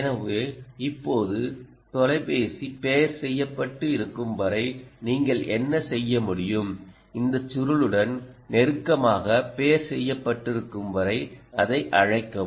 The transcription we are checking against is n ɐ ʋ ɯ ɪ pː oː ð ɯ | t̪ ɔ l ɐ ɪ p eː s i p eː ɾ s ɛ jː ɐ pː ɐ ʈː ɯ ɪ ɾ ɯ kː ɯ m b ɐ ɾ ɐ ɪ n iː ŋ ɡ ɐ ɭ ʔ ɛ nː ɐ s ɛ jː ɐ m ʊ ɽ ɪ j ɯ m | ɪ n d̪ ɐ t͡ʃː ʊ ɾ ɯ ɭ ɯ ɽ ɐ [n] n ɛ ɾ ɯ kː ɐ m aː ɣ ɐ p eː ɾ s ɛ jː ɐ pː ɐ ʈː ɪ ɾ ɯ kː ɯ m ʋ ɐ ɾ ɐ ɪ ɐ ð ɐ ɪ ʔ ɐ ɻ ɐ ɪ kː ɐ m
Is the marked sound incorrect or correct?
correct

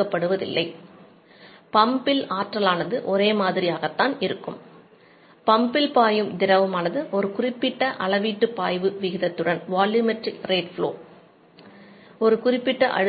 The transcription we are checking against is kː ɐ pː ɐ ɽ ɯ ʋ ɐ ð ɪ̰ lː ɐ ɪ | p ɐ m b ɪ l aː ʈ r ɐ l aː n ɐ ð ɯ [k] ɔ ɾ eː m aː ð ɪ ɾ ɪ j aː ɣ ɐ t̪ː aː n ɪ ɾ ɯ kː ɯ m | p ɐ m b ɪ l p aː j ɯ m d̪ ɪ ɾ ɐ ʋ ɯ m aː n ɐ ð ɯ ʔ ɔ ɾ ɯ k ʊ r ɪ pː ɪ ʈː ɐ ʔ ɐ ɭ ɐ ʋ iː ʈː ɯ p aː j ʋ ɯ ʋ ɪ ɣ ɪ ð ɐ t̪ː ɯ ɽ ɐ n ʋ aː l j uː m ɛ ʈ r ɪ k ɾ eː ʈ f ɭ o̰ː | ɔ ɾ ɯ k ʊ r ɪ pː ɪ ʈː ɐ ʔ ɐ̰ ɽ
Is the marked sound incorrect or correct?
incorrect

